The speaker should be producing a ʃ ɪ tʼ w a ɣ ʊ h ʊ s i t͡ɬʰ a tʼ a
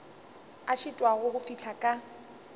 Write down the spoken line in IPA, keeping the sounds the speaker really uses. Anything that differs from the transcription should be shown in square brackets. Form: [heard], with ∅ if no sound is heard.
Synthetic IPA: a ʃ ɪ tʼ w a ɣ ʊ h ʊ [f] i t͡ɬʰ a [kʼ] a